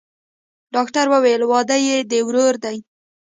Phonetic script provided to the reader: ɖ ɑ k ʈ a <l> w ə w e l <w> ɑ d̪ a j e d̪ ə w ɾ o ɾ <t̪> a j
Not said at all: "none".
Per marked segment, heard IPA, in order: ɾ, w, d̪

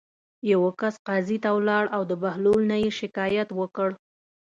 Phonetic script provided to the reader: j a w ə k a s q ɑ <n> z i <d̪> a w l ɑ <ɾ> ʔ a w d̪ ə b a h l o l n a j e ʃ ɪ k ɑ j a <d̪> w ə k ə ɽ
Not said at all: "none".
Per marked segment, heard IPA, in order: none, t̪, ɽ, t̪

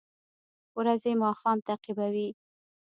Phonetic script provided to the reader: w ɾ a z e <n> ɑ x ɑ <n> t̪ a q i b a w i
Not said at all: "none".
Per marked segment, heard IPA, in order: m, m

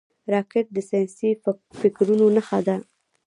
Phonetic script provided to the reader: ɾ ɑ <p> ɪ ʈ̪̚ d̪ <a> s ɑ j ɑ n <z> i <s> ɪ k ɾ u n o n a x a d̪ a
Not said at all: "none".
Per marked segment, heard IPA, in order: k, ə, s, f

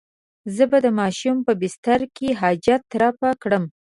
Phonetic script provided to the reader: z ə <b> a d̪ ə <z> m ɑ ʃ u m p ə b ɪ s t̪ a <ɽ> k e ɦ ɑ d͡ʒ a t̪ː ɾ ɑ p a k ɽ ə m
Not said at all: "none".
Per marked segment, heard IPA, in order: b, none, ɾ

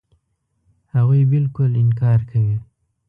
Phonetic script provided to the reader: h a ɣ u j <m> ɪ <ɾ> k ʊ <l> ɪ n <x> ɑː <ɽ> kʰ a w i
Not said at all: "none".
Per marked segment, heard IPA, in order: b, l, l, k, ɾ

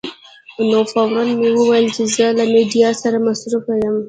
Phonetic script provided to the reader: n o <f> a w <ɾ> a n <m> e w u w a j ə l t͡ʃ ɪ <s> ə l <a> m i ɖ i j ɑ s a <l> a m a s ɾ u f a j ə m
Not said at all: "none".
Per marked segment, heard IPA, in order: f, ɾ, m, z, a, ɾ

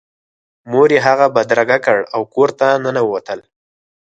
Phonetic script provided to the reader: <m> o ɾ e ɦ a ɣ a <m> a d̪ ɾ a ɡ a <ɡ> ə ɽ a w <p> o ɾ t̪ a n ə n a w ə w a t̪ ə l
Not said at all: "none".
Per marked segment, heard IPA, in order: m, b, k, k

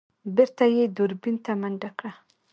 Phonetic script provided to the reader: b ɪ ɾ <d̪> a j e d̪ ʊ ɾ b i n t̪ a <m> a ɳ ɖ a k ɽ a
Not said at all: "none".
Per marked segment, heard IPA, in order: t̪, m

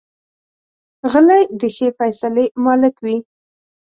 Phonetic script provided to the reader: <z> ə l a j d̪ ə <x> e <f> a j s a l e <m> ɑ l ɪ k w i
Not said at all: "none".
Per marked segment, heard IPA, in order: ɣ, x, f, m

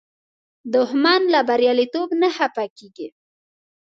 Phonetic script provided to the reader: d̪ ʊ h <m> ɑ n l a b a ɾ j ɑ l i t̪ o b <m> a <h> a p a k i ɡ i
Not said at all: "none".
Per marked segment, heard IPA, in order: m, n, h

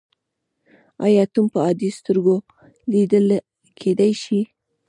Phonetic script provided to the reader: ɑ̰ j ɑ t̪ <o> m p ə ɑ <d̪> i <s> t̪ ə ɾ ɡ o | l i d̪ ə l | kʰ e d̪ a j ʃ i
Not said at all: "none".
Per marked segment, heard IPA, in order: u, d̪, s

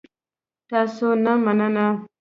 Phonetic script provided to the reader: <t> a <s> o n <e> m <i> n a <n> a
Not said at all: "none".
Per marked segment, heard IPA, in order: t, s, a, a, n

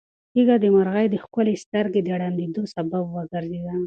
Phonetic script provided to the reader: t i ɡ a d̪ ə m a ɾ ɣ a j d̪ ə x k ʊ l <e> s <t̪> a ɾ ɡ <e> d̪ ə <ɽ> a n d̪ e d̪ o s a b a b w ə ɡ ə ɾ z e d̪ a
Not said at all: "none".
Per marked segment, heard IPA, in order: e, t̪, e, ɽ

